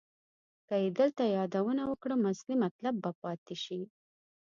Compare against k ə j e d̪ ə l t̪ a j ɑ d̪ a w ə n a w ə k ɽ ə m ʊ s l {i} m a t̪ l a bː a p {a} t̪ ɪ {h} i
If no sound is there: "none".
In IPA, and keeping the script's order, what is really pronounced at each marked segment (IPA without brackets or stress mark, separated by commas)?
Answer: i, ɑ, ʃ